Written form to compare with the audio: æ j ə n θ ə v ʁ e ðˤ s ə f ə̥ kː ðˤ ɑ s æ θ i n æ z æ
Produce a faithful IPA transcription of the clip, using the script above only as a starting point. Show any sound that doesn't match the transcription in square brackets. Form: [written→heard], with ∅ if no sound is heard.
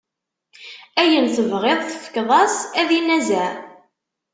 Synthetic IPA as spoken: æ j ə n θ ə v ʁ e ðˤ [s→θ] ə f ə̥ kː ðˤ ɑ s æ [θ→ð] i n æ z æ